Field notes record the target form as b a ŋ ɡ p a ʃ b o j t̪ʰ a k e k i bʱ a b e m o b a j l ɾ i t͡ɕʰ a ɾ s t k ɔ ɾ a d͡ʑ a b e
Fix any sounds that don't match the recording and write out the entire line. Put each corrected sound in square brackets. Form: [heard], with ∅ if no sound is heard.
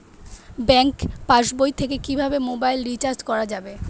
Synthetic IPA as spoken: b [ɛ] ŋ [k] p a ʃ b o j t̪ʰ [e] k e k i bʱ a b e m o b a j l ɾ i [t͡ɕ] a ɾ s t k ɔ ɾ a d͡ʑ a b e